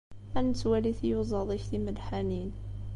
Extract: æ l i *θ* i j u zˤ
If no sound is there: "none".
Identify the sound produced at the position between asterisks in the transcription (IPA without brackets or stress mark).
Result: θ